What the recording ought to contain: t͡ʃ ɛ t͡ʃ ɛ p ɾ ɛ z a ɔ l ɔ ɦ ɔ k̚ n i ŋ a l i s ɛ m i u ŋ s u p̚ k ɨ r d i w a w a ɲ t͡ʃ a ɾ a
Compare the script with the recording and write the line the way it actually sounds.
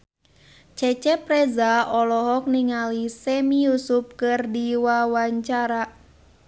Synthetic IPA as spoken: t͡ʃ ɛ t͡ʃ ɛ p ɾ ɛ z a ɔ l ɔ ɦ ɔ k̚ n i ŋ a l i s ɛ m i u s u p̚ k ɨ r d i w a w a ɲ t͡ʃ a ɾ a